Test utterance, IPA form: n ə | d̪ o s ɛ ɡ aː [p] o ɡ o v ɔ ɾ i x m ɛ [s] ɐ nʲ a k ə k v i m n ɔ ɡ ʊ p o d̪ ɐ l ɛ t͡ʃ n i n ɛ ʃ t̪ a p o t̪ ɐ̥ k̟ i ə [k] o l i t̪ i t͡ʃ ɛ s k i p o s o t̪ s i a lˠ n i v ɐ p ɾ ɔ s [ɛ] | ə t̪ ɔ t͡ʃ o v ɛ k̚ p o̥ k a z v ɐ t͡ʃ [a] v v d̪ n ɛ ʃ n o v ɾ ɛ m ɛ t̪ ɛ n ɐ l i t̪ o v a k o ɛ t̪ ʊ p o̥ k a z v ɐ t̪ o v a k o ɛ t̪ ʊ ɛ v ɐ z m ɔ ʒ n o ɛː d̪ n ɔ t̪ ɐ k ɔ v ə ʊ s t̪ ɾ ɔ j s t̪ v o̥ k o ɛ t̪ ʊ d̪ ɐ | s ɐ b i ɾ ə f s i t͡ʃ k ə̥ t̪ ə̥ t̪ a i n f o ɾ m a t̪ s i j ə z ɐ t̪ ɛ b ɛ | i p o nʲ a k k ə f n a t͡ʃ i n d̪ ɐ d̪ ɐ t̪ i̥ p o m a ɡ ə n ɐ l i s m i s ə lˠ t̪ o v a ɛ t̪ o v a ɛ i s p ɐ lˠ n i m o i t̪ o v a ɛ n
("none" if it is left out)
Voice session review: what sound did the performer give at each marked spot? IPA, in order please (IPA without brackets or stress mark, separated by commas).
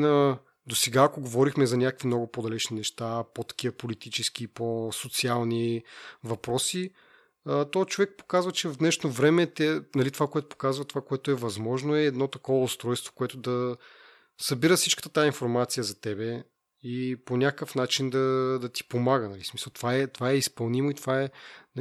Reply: k, z, p, i, ɛ